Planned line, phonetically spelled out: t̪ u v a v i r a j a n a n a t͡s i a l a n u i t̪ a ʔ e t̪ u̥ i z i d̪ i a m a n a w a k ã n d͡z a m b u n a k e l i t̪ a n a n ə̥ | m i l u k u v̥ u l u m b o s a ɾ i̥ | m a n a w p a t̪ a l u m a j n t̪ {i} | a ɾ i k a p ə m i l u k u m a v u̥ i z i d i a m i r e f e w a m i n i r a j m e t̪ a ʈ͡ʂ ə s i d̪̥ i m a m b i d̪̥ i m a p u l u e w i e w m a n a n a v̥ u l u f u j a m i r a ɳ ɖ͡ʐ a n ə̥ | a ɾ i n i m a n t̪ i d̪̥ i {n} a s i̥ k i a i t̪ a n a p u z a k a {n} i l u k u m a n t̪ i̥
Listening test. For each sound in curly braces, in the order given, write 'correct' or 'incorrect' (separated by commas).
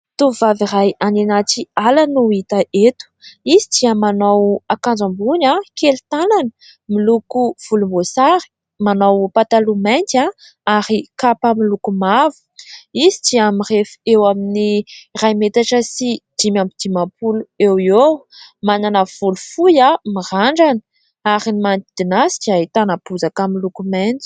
incorrect, correct, incorrect